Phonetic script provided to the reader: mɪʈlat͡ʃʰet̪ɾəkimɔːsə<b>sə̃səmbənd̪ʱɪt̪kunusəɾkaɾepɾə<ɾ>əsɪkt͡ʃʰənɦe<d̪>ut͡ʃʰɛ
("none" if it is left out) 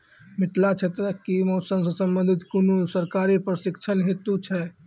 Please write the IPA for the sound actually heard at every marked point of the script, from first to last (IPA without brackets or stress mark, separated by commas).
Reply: m, ɾ, t̪